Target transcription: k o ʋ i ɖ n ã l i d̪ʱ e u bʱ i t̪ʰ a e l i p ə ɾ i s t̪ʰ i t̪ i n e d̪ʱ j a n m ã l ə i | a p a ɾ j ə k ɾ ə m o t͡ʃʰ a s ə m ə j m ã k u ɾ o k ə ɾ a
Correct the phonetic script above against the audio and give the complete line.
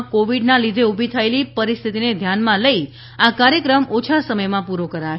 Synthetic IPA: k o ʋ i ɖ n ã l i d̪ʱ e u bʱ i t̪ʰ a e l i p ə ɾ i s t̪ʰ i t̪ i n e d̪ʱ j a n m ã l ə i | a k a ɾ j ə k ɾ ə m o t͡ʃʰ a s ə m ə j m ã p u ɾ o k ə ɾ a